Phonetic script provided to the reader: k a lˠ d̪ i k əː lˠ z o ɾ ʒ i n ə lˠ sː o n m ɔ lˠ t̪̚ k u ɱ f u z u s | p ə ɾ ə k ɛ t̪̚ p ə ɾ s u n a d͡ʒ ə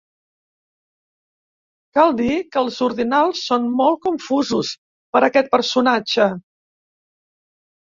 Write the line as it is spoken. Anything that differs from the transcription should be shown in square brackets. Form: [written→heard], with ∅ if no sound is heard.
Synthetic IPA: k a lˠ d̪ i k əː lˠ z [o→u] ɾ [ʒ→ð] i n [ə→a] lˠ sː o n m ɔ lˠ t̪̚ k u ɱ f u z u s | p ə ɾ ə k ɛ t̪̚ p ə ɾ s u n a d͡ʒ ə